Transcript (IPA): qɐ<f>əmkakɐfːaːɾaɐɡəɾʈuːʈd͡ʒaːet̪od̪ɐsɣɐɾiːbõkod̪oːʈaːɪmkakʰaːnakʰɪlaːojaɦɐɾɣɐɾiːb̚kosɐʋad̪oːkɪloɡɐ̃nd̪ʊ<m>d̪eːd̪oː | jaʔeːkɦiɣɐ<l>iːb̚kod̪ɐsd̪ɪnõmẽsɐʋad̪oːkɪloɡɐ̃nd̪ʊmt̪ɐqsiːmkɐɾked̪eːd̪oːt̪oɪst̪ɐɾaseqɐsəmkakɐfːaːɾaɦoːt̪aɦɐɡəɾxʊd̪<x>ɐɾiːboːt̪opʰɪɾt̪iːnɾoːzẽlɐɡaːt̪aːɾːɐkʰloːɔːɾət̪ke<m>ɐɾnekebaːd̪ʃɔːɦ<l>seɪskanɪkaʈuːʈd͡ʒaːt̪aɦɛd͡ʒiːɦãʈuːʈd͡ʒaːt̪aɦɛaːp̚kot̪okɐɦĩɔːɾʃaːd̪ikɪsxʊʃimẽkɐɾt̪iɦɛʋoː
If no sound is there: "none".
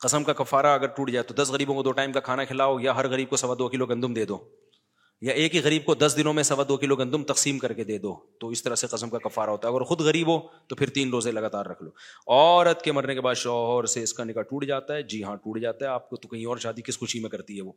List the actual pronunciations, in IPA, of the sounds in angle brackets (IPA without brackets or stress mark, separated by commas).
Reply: s, m, ɾ, ɣ, m, ɾ